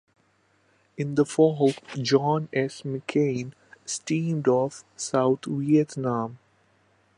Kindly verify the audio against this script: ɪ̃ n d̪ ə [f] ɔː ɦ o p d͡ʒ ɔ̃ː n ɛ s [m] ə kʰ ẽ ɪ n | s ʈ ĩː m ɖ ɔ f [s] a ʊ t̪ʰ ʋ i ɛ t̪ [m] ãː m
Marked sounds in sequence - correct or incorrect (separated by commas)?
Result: correct, correct, correct, incorrect